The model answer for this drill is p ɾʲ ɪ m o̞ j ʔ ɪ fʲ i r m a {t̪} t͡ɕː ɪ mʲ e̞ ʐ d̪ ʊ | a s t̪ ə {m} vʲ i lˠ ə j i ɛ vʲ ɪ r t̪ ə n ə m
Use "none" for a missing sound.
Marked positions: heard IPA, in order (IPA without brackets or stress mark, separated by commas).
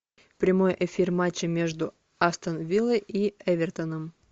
none, n